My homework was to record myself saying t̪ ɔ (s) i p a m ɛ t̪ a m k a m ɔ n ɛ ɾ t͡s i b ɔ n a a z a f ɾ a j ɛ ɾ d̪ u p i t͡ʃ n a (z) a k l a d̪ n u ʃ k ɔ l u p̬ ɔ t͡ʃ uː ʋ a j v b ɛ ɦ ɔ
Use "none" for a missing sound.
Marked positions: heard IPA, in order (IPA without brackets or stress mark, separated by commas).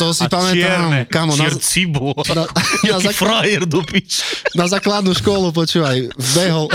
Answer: s, z